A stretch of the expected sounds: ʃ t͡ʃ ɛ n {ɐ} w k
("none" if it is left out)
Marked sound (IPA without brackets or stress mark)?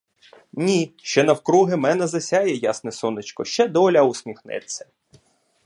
ɐ